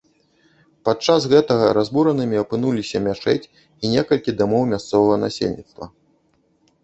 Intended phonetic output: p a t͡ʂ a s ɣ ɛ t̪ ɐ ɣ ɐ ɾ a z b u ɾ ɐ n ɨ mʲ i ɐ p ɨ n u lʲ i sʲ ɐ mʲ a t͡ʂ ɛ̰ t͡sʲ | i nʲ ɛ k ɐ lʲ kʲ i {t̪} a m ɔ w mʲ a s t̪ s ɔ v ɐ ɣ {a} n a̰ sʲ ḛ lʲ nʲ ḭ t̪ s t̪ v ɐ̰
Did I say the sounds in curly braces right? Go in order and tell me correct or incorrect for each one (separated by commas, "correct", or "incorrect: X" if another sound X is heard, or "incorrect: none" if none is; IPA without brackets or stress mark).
incorrect: d̪, incorrect: ɐ